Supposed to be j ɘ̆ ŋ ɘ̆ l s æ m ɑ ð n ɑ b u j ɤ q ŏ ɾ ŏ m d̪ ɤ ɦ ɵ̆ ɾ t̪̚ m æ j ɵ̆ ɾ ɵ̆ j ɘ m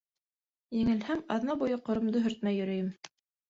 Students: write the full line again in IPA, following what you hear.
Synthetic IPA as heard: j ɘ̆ ŋ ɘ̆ l h æ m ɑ ð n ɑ b u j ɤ q ŏ ɾ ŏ m d̪ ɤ ɦ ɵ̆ ɾ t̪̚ m æ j ɵ̆ ɾ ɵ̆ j ɘ m